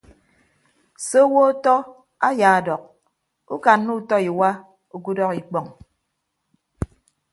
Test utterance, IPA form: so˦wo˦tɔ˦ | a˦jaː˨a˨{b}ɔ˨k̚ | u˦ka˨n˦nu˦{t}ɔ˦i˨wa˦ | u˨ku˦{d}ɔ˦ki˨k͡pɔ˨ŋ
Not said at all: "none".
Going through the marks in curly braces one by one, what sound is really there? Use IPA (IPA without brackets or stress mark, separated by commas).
d, t, d